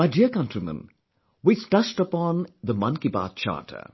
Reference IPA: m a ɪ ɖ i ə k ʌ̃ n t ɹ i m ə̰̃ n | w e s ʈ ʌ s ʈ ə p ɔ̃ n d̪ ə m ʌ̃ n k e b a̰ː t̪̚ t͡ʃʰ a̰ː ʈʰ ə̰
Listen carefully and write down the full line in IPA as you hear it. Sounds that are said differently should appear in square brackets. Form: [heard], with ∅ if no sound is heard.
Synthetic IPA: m a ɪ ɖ i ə k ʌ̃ n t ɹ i m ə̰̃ n | w [i] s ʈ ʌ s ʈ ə p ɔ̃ n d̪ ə m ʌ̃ n k [i] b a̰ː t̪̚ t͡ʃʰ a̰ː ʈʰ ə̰